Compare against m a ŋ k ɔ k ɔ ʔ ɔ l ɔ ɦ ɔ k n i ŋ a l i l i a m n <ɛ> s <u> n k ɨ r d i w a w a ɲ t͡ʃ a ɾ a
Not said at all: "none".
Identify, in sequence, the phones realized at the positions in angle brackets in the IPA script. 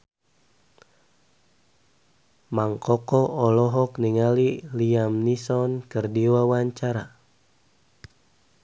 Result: i, ɔ

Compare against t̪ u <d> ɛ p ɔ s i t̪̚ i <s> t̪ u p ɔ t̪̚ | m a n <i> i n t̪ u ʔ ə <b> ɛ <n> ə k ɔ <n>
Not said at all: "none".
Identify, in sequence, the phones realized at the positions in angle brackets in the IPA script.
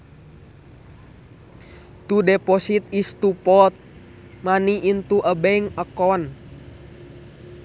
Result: d, s, i, b, ŋ, n

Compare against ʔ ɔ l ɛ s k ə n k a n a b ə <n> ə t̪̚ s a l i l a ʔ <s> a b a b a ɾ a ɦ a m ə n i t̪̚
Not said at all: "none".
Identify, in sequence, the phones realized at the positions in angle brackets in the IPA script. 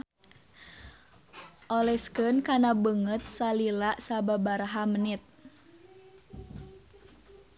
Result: ŋ, s

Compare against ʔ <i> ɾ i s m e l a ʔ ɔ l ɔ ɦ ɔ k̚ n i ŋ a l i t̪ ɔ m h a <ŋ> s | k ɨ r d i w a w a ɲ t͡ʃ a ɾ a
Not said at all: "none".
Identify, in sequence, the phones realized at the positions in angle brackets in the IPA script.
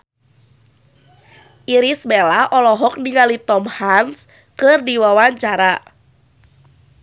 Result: i, n

